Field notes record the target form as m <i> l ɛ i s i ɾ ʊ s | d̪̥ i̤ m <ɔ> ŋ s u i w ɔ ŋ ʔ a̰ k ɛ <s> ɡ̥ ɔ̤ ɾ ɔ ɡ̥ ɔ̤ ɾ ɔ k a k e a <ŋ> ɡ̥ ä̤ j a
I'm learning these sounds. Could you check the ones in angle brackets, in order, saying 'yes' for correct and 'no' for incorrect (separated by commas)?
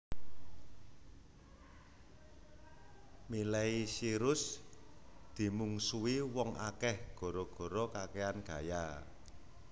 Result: yes, no, no, no